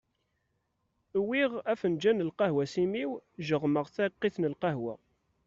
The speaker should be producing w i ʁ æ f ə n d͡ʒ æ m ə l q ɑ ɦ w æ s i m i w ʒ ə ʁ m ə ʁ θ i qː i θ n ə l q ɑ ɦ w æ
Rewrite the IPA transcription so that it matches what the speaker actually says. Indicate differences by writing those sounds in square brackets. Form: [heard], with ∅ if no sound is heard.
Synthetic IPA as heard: w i ʁ æ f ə n d͡ʒ æ [n] ə l q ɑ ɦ w æ s i m i w ʒ ə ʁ m ə ʁ θ [æ] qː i θ n ə l q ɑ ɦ w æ